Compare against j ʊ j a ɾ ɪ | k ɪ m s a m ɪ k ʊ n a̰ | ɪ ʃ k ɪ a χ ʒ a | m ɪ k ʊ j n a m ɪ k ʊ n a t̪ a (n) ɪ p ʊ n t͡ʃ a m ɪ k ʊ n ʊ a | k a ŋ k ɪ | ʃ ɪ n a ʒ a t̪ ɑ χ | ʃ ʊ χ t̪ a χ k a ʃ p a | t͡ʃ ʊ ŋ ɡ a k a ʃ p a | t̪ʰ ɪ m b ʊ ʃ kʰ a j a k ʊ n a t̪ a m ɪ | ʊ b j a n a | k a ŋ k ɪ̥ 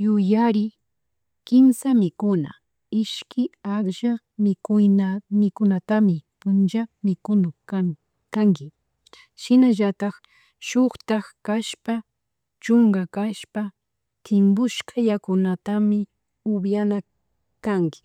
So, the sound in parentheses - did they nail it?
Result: no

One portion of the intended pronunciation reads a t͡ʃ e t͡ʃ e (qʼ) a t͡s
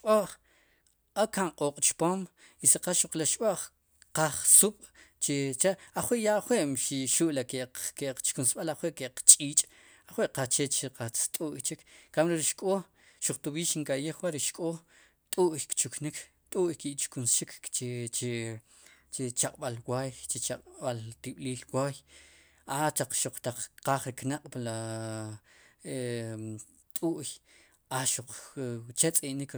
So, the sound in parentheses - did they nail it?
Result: no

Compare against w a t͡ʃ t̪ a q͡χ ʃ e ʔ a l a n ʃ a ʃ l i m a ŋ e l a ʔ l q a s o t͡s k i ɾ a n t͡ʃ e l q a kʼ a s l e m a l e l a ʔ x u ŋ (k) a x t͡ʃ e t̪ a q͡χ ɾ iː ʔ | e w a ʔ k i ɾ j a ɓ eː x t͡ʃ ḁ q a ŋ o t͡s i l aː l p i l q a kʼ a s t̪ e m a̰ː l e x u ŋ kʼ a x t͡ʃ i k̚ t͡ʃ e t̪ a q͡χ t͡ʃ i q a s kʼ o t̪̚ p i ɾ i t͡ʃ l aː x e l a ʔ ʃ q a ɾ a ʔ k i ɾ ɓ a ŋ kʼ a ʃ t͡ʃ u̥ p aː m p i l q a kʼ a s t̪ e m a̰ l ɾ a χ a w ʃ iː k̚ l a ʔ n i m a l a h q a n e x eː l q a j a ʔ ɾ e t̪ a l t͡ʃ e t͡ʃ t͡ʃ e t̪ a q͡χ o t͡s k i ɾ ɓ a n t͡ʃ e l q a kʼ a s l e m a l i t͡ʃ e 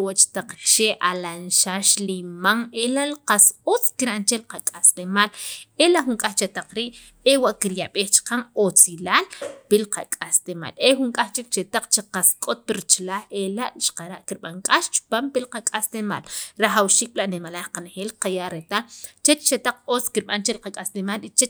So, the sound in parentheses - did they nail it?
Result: no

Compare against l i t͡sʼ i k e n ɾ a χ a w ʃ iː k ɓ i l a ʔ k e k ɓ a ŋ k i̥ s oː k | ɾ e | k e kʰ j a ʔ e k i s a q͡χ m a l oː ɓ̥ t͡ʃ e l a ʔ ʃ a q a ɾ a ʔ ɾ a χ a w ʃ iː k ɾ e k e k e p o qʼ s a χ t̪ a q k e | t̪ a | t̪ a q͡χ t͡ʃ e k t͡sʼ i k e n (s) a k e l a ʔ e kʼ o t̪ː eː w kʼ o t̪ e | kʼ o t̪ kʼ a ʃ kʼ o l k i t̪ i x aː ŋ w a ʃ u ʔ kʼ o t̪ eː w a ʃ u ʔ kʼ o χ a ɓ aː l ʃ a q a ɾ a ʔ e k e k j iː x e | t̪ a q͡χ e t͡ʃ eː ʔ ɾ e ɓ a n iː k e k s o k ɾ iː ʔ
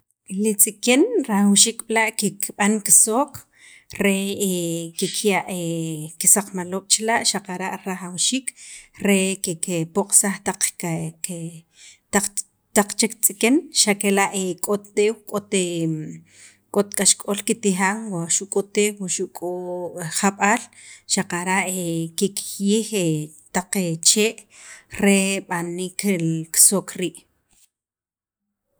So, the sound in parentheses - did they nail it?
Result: no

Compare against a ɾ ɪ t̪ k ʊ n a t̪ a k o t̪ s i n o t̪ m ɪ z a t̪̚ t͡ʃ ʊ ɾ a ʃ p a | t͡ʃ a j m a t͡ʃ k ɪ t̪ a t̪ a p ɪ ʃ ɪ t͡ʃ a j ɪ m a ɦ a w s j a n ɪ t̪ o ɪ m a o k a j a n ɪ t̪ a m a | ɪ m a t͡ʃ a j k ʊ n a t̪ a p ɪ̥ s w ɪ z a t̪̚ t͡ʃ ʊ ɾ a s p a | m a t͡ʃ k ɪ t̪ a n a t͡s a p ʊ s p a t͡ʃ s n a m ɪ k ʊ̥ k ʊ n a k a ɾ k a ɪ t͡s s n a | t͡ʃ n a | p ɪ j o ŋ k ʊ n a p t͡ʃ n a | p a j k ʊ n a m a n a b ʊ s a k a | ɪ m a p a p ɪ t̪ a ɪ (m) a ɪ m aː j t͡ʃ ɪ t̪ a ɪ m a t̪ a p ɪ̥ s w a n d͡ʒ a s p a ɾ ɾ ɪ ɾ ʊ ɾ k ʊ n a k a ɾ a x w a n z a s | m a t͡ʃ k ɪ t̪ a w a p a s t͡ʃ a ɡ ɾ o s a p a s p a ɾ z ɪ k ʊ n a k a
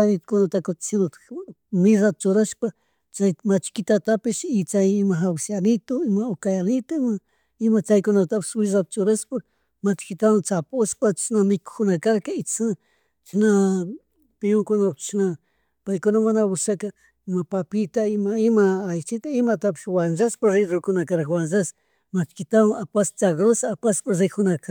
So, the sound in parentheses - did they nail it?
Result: yes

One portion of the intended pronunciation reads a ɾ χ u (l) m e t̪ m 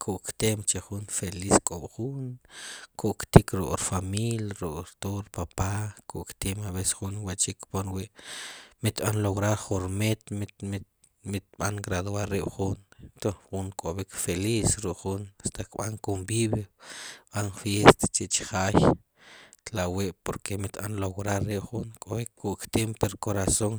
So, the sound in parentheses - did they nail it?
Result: no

